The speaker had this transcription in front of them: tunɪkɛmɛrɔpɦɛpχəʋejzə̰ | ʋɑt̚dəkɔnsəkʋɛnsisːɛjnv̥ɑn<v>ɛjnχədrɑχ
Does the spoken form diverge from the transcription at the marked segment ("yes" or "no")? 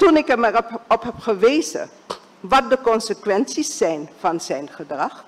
yes